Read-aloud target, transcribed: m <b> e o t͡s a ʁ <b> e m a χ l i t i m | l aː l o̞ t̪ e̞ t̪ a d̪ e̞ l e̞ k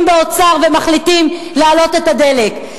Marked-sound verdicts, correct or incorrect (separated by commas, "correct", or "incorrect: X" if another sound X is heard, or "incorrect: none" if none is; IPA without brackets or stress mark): correct, incorrect: v